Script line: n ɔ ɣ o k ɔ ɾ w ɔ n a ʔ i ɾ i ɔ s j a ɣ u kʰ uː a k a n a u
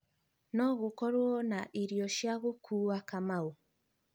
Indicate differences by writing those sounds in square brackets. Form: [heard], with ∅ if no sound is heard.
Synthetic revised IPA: n ɔ ɣ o k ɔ ɾ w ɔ n a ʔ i ɾ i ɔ [ʃ] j a ɣ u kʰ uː a k a [m] a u